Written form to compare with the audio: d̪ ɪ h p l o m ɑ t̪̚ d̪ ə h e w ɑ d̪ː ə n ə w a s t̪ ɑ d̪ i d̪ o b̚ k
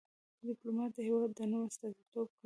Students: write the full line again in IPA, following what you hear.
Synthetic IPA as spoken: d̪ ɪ p l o m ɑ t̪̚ d̪ ə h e w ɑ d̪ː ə n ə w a s t̪ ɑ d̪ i t̪ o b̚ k